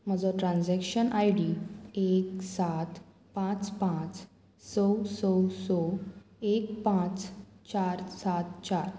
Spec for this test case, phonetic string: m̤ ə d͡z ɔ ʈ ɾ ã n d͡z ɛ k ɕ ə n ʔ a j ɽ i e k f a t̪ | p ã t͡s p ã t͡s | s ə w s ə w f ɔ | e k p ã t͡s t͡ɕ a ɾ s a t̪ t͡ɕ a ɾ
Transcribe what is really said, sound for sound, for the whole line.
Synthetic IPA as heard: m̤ ə d͡z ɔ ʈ ɾ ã n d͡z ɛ k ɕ ə n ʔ a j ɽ i e k s a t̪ | p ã t͡s p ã t͡s | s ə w s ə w s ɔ | e k p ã t͡s t͡ɕ a ɾ s a t̪ t͡ɕ a ɾ

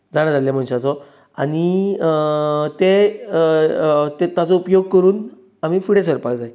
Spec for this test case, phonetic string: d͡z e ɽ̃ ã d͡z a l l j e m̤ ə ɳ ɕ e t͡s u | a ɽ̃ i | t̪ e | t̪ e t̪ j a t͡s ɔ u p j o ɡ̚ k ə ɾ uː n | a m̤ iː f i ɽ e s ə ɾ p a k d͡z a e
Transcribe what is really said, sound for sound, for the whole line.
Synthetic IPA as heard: d͡z a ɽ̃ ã d͡z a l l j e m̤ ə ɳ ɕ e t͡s ɔ | a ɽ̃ i | t̪ e | t̪ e t̪ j a t͡s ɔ u p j o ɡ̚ k ə ɾ uː n | a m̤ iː f i ɽ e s ə ɾ p a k d͡z a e

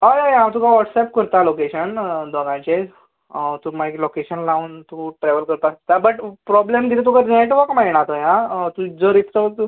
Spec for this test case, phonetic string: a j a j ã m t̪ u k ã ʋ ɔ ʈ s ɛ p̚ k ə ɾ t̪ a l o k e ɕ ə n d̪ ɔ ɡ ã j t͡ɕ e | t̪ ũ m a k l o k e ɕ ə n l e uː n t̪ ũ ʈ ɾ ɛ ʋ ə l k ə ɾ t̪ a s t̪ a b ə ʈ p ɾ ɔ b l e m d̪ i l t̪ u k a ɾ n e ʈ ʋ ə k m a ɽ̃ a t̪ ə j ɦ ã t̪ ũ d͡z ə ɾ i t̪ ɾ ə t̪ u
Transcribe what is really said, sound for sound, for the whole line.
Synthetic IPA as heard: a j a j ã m t̪ u k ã ʋ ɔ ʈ s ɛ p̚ k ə ɾ t̪ a l o k e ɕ ə n d̪ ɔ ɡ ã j t͡ɕ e | t̪ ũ m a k l o k e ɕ ə n l a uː n t̪ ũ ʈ ɾ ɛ ʋ ə l k ə ɾ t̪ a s t̪ a b ə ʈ p ɾ ɔ b l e m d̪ i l t̪ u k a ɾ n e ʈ ʋ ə k m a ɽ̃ a t̪ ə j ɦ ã t̪ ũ d͡z ə ɾ i t̪ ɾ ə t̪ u

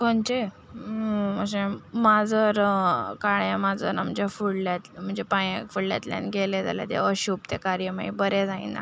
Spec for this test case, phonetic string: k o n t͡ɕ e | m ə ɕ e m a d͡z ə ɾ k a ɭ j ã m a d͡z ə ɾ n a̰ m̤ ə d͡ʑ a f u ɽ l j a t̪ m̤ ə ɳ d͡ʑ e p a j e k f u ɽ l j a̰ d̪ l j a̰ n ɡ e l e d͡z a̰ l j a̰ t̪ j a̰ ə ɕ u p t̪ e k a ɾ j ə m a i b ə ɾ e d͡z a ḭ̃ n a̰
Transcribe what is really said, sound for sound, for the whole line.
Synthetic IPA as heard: k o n t͡ɕ e | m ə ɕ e m a d͡z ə ɾ k a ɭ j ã m a d͡z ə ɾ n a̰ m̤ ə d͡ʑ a f u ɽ l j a t̪ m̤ ə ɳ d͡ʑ e p a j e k f u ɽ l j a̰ t̪ l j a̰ n ɡ e l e d͡z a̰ l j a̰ t̪ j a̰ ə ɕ u p t̪ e k a ɾ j ə m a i b ə ɾ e d͡z a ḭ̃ n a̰

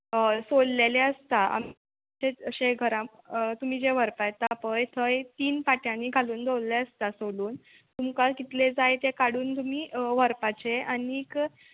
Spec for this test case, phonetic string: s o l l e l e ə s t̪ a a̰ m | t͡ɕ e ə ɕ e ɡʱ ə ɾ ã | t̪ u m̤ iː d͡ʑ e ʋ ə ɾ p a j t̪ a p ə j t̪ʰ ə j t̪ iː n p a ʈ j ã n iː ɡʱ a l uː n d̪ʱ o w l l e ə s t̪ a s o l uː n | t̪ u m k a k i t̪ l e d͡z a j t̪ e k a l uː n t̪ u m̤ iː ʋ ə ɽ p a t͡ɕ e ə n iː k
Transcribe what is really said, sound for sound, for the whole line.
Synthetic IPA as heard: s o l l e l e ə s t̪ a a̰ m | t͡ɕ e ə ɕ e ɡʱ ə ɾ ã | t̪ u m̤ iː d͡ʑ e ʋ ə ɾ p a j t̪ a p ə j t̪ʰ ə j t̪ iː n p a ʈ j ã n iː ɡʱ a l uː n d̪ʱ o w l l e ə s t̪ a s o l uː n | t̪ u m k a k i t̪ l e d͡z a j t̪ e k a ɽ uː n t̪ u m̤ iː ʋ ə ɾ p a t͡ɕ e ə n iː k

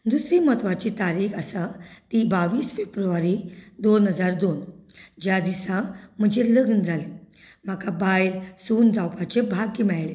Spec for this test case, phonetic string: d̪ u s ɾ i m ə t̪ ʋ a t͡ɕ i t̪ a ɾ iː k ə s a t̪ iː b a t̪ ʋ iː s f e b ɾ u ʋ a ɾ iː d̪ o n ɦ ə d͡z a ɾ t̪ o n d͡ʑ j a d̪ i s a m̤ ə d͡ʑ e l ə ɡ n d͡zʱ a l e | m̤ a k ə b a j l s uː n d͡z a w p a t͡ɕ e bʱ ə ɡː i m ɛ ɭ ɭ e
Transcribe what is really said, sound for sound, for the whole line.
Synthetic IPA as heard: d̪ u s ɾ i m ə t̪ ʋ a t͡ɕ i t̪ a ɾ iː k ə s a t̪ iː b a ʋ iː s f e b ɾ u ʋ a ɾ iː d̪ o n ɦ ə d͡z a ɾ d̪ o n d͡ʑ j a d̪ i s a m̤ ə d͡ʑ e l ə ɡ n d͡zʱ a l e | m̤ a k a b a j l s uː n d͡z a w p a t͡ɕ e bʱ a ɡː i m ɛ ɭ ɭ e

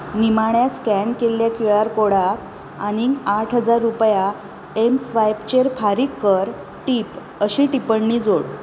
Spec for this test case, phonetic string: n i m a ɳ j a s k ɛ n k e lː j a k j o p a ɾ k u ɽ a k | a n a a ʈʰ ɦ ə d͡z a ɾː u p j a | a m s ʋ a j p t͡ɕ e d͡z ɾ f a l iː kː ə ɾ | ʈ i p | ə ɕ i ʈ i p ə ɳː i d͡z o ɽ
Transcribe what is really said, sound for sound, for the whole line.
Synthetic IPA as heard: n i m a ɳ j a s k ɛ n k e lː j a k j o a ɾ k o ɽ a k | a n i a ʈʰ ɦ ə d͡z a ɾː u p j a | e m s ʋ a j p t͡ɕ e ɾ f a ɾ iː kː ə ɾ | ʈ i p | ə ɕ i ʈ i p ə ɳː i d͡z o ɽ

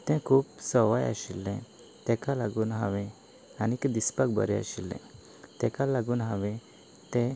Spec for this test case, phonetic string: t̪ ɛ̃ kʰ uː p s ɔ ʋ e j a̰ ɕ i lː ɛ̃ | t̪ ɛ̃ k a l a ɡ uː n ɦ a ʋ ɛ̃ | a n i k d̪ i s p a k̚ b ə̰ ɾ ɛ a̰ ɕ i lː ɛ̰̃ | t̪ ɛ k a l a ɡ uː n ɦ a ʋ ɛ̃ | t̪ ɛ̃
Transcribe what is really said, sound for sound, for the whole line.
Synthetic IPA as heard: t̪ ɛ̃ kʰ uː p s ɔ ʋ a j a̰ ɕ i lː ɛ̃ | t̪ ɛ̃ k a l a ɡ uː n ɦ a ʋ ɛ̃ | a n i k d̪ i s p a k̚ b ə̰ ɾ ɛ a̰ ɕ i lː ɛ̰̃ | t̪ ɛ k a l a ɡ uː n ɦ a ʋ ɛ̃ | t̪ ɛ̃

